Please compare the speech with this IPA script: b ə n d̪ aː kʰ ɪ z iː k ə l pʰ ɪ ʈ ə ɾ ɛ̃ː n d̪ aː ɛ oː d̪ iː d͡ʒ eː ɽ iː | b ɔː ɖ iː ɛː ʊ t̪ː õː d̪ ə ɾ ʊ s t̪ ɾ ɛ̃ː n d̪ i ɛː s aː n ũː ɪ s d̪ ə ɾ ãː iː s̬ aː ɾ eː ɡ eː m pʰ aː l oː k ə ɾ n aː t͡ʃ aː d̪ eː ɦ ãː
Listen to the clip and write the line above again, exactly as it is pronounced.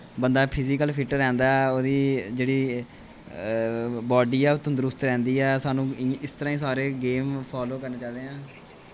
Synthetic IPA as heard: b ə n d̪ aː pʰ ɪ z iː k ə l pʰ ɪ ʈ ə ɾ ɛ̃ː n d̪ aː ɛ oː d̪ iː d͡ʒ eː ɽ iː | b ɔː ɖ iː ɛː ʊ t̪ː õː d̪ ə ɾ ʊ s t̪ ɾ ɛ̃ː n d̪ iː ɛː s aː n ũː ɪ s t̪ ə ɾ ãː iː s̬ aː ɾ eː ɡ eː m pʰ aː l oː k ə ɾ n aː t͡ʃ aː d̪ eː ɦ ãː

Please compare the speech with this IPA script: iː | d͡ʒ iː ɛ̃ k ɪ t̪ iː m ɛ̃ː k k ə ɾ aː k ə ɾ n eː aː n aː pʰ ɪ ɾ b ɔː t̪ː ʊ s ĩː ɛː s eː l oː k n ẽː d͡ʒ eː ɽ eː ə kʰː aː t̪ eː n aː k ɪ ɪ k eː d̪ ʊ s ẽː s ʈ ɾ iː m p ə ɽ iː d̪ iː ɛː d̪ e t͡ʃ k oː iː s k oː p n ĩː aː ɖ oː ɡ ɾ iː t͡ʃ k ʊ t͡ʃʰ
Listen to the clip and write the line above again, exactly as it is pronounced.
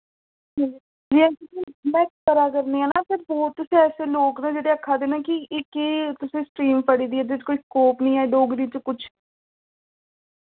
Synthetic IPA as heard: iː | d͡ʒ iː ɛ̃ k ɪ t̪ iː m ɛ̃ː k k ə ɾ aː k ə ɾ n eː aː n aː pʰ ɪ ɾ b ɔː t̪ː ʊ s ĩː ɛː s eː l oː k n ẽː d͡ʒ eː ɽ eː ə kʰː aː d̪ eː n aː k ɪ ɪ k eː t̪ ʊ s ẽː s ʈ ɾ iː m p ə ɽ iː d̪ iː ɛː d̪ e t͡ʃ k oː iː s k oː p n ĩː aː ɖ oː ɡ ɾ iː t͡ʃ k ʊ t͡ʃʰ

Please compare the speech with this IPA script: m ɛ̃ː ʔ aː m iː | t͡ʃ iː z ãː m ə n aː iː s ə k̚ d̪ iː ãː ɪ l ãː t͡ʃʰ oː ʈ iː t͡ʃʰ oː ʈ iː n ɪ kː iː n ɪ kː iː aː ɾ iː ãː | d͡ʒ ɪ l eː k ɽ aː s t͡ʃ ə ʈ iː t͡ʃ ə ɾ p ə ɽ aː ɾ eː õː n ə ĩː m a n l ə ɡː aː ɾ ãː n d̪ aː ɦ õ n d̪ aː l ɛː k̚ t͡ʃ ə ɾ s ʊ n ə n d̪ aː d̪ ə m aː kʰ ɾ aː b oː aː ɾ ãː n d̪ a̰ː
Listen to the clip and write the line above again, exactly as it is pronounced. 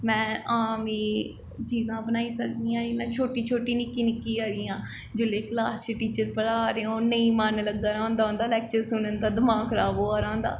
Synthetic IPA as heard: m ɛ̃ː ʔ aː m iː | t͡ʃ iː z ãː b ə n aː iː s ə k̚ d̪ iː ãː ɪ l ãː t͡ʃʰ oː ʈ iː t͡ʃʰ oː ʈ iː n ɪ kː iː n ɪ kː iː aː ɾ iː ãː | d͡ʒ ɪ l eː k l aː s t͡ʃ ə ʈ iː t͡ʃ ə ɾ p ə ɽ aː ɾ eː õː n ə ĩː m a n l ə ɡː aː ɾ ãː n d̪ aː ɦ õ n d̪ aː l ɛː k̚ t͡ʃ ə ɾ s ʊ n ə n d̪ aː d̪ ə m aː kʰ ɾ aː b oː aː ɾ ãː n d̪ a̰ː

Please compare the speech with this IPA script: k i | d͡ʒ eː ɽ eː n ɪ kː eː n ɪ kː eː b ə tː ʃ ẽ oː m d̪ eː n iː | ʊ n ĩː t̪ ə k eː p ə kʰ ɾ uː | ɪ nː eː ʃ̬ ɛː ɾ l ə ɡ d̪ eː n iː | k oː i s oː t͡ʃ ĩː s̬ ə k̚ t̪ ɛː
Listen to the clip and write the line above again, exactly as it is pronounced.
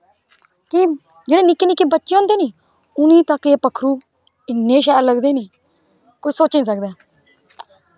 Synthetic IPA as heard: k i | d͡ʒ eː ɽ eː n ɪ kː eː n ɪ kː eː b ə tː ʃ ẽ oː n d̪ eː n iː | ʊ n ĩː t̪ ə k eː p ə kʰ ɾ uː | ɪ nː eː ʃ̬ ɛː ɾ l ə ɡ d̪ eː n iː | k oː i s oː t͡ʃ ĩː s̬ ə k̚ d̪ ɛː

